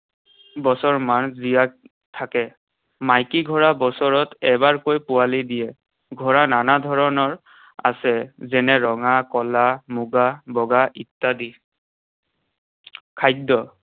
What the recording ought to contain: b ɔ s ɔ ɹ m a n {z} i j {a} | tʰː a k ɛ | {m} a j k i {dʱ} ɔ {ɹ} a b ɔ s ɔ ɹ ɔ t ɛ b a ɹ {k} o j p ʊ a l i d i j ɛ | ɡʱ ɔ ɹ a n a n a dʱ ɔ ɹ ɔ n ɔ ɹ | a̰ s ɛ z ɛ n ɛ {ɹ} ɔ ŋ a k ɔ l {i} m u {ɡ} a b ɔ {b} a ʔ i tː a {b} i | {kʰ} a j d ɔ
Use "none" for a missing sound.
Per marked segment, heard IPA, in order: z, a, m, ɡʱ, ɹ, k, ɹ, a, ɡ, ɡ, d, kʰ

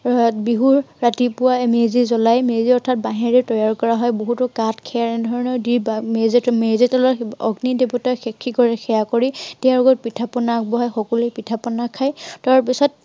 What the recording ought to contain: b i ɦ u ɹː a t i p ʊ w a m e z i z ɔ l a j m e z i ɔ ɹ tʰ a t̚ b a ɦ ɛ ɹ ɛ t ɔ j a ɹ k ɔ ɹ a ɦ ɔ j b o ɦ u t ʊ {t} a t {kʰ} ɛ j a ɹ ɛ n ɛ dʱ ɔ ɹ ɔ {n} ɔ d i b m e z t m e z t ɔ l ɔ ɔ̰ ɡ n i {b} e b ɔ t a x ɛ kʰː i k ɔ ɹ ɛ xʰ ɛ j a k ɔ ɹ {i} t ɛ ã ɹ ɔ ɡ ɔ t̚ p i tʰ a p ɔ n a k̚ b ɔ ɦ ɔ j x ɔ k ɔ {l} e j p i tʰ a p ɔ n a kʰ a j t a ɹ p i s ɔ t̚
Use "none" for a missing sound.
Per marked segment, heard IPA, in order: k, kʰ, n, d, i, l

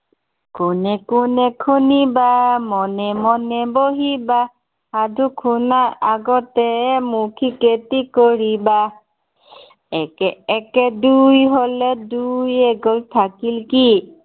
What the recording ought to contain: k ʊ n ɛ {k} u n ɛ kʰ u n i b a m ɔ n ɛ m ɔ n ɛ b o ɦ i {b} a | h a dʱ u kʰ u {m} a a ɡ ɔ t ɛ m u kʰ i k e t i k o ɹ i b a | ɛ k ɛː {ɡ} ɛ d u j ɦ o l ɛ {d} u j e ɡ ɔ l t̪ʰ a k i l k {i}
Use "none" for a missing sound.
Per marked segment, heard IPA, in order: k, b, n, k, d, i

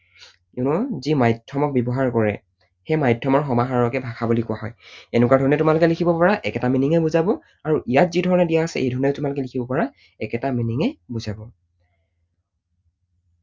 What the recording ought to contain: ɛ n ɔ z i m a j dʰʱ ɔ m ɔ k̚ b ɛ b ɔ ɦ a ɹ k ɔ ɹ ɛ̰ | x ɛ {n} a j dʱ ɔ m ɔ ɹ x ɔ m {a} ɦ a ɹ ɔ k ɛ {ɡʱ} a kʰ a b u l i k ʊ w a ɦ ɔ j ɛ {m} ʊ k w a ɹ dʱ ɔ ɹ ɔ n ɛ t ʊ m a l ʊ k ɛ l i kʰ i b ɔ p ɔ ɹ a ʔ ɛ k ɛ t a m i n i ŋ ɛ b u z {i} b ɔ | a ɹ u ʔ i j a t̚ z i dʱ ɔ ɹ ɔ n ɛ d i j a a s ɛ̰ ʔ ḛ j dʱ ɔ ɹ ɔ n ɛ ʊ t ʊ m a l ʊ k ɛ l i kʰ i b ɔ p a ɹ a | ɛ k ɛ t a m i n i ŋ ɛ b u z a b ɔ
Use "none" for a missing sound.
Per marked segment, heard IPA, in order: m, a, bʱ, n, a

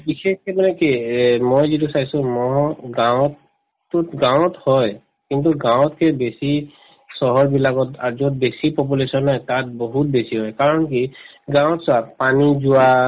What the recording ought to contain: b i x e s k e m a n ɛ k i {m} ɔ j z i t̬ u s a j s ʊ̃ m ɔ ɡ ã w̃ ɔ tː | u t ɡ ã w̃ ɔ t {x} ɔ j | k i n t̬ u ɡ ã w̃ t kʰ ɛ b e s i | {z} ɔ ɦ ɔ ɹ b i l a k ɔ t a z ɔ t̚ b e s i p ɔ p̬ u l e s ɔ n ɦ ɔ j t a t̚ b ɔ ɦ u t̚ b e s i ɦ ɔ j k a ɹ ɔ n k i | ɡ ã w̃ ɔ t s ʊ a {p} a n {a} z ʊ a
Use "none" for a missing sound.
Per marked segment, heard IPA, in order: m, h, s, p, i

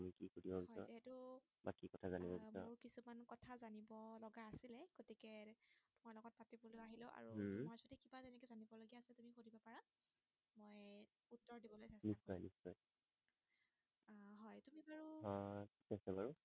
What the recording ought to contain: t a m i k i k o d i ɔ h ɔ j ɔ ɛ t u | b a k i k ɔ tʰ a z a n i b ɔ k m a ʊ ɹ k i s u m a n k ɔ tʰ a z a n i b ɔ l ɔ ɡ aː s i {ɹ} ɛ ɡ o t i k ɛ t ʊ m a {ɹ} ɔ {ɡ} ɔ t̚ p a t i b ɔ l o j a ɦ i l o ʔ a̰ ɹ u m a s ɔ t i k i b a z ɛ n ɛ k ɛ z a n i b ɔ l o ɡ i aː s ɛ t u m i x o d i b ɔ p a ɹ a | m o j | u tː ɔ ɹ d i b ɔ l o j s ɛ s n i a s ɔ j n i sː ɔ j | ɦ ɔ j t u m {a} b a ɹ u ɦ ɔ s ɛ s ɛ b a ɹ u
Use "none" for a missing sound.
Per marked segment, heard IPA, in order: l, l, ɡ, i

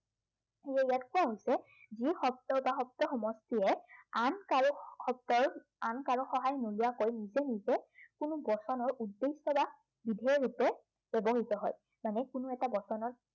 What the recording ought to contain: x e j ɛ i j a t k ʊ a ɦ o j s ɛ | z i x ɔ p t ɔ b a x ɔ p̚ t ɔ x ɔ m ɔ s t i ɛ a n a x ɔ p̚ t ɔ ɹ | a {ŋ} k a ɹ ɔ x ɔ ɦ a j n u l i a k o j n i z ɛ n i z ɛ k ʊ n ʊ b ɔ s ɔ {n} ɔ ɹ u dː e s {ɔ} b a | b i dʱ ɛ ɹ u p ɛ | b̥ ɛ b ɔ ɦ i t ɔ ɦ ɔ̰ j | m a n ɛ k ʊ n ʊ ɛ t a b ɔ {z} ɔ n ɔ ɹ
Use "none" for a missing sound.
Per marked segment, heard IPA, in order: n, n, ɔ, s

